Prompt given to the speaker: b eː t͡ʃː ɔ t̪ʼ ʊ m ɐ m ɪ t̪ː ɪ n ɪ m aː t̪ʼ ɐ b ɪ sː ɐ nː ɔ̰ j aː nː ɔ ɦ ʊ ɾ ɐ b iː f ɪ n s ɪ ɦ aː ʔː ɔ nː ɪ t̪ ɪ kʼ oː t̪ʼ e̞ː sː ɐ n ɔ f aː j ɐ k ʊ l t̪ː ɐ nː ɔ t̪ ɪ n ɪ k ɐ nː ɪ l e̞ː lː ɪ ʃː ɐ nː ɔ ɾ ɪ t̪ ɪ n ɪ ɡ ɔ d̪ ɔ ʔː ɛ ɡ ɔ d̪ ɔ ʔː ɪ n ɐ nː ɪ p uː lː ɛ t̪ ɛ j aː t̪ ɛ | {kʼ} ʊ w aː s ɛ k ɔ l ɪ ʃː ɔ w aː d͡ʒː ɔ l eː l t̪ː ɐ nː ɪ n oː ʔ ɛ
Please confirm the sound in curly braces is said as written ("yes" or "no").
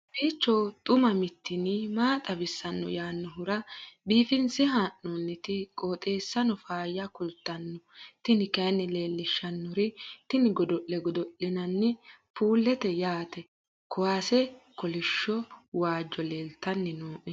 no